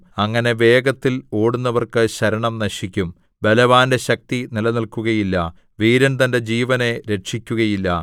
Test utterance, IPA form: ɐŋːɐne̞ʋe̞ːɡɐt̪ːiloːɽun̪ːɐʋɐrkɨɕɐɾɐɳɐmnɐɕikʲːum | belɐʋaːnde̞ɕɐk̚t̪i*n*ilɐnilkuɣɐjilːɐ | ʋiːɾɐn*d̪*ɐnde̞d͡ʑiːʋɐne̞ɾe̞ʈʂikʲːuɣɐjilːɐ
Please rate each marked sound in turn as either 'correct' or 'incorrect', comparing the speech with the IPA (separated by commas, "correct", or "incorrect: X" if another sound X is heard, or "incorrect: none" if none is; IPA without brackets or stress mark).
correct, incorrect: t̪